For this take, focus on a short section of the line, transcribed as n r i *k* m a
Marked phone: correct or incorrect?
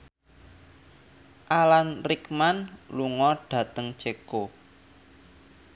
correct